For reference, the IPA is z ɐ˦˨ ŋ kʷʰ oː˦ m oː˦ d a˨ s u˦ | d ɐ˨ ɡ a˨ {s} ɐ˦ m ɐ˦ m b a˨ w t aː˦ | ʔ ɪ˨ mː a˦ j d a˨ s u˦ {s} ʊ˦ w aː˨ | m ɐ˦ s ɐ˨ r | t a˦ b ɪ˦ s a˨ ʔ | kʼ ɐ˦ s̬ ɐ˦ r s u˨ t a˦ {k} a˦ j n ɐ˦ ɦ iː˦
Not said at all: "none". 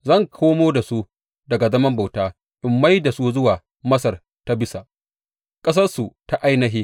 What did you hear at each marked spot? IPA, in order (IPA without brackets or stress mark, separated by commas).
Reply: z, z, ʔ